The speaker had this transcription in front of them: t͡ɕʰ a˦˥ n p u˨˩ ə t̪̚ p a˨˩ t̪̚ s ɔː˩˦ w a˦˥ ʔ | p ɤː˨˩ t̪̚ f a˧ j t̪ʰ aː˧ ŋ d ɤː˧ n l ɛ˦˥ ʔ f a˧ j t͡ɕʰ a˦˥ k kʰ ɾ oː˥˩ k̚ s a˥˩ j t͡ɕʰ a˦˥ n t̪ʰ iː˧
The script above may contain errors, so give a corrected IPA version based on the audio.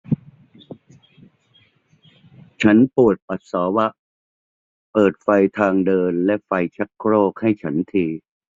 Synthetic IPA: t͡ɕʰ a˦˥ n p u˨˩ ə t̪̚ p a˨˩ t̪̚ s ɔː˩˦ w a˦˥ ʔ | p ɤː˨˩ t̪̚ f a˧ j t̪ʰ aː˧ ŋ d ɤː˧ n l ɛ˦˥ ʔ f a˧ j t͡ɕʰ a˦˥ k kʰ ɾ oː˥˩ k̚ h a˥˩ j t͡ɕʰ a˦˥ n t̪ʰ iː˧